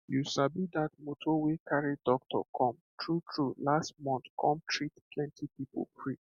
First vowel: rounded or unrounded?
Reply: rounded